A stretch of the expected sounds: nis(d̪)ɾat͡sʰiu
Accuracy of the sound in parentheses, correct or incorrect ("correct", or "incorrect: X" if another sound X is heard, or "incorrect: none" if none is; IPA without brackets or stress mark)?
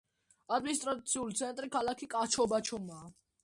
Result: incorrect: t̪